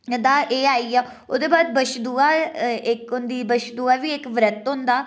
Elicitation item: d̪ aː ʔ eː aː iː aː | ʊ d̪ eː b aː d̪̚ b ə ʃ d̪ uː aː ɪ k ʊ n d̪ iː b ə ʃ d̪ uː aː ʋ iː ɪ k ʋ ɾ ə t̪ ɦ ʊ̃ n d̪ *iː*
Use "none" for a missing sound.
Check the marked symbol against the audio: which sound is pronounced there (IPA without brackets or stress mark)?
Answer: aː